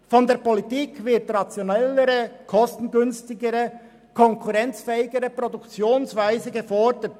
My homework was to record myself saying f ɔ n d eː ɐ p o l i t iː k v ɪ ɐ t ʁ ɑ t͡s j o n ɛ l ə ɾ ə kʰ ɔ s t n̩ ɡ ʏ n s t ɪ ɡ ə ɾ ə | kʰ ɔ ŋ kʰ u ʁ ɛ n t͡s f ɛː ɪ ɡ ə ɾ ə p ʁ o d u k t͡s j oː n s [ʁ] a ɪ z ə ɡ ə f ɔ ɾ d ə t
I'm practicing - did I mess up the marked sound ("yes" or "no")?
yes